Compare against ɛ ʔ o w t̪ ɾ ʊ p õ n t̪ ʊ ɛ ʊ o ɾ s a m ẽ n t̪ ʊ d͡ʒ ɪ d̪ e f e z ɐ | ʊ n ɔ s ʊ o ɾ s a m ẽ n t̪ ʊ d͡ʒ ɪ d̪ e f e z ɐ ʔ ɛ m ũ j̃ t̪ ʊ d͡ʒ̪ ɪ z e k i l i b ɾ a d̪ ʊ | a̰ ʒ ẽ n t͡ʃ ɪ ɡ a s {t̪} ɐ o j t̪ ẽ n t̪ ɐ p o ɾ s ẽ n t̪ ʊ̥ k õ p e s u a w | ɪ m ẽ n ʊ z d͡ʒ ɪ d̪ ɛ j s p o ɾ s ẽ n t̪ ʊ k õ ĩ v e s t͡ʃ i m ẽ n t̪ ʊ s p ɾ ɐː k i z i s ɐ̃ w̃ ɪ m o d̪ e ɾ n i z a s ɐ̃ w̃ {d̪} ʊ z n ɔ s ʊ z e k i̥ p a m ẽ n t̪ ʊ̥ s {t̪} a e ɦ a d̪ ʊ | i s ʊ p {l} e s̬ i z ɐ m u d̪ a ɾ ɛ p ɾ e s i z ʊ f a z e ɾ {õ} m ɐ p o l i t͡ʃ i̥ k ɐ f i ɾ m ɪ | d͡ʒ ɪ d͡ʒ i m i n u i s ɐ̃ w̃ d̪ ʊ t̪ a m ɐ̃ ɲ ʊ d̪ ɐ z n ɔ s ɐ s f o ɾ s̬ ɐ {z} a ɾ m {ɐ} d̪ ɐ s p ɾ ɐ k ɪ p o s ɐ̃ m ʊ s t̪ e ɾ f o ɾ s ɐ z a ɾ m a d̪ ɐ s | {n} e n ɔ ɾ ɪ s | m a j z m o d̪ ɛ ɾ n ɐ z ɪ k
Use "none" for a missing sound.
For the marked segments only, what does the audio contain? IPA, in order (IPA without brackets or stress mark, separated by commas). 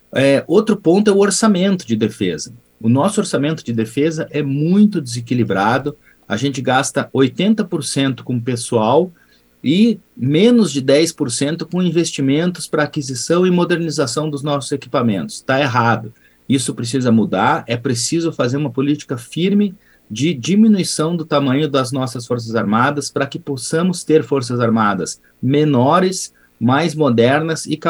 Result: t̪, d̪, t̪, ɾ, ũ, z, a, m